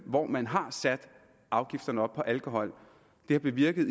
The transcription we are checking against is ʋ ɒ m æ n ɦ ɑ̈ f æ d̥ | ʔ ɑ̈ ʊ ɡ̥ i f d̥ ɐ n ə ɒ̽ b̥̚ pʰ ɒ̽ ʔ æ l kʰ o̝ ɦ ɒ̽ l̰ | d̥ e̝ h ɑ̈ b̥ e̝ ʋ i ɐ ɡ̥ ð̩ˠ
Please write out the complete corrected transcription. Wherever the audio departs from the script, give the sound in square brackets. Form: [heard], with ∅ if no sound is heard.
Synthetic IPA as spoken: ʋ ɒ m æ n ɦ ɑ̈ [s] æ d̥ | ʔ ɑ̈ ʊ ɡ̥ i f d̥ ɐ n ə ɒ̽ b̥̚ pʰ ɒ̽ ʔ æ l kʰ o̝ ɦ ɒ̽ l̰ | d̥ e̝ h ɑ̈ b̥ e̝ ʋ i ɐ ɡ̥ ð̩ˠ